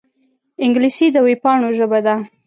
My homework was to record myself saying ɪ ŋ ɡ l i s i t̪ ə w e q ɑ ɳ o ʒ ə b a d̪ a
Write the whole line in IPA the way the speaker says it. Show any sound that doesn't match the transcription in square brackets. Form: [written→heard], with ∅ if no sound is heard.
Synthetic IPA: ɪ ŋ ɡ l i s i [t̪→d̪] ə w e [q→p] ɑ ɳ o ʒ ə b a d̪ a